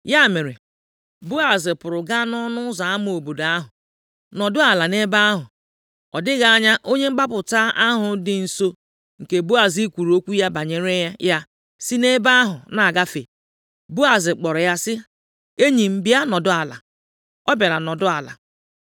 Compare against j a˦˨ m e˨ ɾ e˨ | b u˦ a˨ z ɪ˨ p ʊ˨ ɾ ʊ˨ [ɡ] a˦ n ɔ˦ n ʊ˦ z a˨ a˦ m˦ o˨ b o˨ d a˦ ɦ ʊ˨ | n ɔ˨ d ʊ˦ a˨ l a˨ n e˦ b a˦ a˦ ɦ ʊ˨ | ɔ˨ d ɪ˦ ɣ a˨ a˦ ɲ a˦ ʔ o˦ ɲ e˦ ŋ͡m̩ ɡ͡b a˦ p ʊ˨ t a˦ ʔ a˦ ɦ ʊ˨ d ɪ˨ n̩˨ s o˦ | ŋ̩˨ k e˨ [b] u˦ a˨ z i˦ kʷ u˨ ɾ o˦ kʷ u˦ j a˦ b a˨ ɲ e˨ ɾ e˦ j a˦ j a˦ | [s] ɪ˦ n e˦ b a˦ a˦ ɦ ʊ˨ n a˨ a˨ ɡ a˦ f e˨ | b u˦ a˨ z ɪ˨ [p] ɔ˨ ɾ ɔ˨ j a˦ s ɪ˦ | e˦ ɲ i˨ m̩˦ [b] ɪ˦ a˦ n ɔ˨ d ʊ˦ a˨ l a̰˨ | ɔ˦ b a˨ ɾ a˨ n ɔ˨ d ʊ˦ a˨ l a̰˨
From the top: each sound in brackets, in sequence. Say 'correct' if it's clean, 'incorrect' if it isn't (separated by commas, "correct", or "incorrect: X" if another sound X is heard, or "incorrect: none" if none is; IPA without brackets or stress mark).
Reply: correct, correct, correct, incorrect: k͡p, correct